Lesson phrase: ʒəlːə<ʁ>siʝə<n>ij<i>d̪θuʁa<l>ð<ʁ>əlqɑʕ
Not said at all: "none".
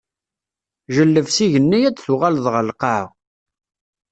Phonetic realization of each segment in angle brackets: v, nː, æ, l, ʁ

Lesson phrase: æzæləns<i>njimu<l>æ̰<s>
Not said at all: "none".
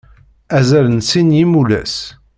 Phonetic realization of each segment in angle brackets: i, l, s

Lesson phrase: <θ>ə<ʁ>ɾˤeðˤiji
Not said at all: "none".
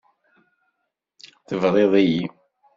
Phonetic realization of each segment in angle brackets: θ, v

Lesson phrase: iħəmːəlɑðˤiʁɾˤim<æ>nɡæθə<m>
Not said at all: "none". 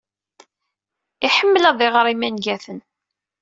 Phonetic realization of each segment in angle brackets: æ, n

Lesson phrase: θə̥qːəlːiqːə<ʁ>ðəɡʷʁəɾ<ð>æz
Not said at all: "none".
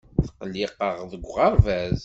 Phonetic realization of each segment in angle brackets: ʁ, v

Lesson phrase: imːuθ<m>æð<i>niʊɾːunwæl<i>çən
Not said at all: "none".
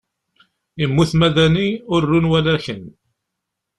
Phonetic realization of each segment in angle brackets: m, æ, æ

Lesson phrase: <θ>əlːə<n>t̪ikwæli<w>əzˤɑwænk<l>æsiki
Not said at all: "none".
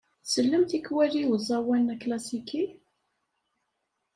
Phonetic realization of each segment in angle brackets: s, m, w, l

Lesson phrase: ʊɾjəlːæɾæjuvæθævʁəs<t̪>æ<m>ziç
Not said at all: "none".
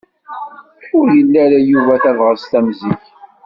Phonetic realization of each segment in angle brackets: t̪, m

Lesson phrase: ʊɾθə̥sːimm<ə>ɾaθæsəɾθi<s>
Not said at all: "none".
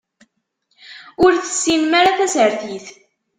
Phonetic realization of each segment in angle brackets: a, θ

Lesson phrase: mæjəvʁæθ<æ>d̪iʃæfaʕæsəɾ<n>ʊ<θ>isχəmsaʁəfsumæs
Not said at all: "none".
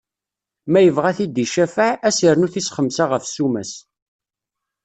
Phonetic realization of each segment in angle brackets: i, n, θ

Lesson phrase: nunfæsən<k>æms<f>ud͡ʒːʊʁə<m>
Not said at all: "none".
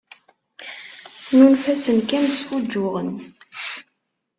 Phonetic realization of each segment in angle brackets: k, f, n

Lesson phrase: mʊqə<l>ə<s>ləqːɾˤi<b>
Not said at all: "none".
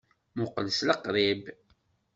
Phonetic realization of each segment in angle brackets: l, s, b

